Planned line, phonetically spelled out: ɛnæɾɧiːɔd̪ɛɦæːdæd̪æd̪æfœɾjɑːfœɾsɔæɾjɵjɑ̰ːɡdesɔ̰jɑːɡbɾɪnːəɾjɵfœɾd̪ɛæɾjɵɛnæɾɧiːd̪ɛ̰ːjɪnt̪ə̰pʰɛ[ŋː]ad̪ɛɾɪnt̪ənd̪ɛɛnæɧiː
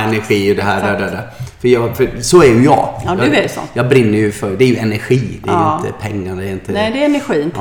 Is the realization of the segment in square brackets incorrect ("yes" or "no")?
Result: no